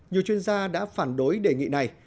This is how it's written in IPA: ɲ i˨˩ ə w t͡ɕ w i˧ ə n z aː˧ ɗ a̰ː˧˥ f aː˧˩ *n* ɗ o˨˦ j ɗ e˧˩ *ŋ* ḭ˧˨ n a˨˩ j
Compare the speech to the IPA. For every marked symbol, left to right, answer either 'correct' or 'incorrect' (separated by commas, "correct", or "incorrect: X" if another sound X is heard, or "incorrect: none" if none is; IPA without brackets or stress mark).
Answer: correct, correct